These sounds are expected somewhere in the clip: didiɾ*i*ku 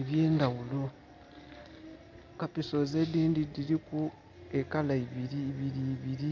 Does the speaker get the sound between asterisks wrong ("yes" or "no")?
no